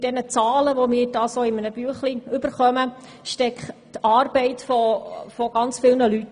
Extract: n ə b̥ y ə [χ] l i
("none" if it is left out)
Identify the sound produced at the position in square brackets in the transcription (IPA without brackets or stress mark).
χ